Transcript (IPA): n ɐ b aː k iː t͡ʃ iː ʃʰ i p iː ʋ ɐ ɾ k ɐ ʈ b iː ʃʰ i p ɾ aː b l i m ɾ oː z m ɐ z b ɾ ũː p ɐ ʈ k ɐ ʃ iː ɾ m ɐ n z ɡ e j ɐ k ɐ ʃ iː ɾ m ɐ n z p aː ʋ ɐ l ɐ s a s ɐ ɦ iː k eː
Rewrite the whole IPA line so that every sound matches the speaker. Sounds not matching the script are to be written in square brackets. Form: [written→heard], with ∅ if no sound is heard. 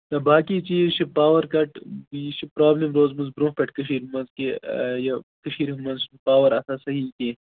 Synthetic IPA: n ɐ b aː k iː t͡ʃ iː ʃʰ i p [iː→aː] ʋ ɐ ɾ k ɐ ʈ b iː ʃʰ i p ɾ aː b l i m ɾ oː z m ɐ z b ɾ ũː p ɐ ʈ k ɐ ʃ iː ɾ m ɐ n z [ɡ→k] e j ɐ k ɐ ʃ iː ɾ m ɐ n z p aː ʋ ɐ [l→ɾ] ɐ s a s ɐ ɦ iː k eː

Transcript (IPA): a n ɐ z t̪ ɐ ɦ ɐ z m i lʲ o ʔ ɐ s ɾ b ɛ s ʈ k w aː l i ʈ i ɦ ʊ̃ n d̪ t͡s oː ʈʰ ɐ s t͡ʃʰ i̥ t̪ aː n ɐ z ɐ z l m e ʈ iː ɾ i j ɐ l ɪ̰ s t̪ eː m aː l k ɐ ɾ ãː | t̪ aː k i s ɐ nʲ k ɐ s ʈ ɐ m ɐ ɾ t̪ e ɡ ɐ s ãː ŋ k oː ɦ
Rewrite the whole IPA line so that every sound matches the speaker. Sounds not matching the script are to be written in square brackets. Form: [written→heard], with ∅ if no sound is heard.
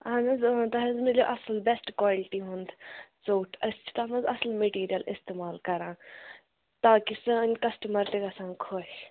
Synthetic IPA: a n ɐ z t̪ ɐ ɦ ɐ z m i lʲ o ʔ ɐ s [ɾ→l] b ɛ s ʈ k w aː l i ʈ i ɦ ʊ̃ n d̪ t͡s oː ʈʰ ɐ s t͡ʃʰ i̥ t̪ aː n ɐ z ɐ [z→s] l m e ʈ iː ɾ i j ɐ l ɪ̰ s t̪ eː m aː l k ɐ ɾ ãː | t̪ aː k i s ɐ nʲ k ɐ s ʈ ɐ m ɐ ɾ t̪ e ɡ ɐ s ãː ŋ [k→kʰ] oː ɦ

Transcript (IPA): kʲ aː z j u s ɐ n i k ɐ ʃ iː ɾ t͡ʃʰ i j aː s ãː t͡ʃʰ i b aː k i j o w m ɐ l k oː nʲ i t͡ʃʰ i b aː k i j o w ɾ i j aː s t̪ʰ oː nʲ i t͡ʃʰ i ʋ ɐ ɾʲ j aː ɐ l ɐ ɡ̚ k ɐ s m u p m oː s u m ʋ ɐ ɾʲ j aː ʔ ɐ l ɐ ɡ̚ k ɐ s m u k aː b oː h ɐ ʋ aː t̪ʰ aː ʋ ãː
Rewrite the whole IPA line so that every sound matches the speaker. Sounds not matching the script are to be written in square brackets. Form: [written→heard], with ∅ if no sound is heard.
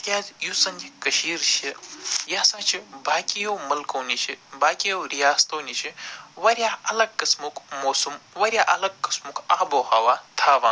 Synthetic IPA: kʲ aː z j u s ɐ n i k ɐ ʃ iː ɾ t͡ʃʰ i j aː s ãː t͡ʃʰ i b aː k i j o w m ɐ l k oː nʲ i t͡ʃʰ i b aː k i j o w ɾ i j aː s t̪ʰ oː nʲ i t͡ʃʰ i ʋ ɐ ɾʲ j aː ɐ l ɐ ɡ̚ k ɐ s m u [p→k] m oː s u m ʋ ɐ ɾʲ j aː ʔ ɐ l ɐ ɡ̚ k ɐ s m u k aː b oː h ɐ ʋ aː t̪ʰ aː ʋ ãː

